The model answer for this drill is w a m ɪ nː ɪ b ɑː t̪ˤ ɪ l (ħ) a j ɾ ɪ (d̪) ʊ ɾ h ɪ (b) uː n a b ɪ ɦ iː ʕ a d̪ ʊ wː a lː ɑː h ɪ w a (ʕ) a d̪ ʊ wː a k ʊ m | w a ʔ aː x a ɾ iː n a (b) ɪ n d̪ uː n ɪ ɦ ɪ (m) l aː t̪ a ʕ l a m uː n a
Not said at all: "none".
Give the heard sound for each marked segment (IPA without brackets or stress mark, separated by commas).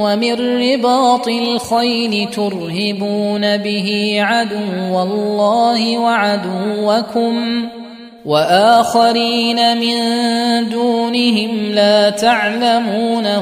x, t̪, b, ʕ, m, m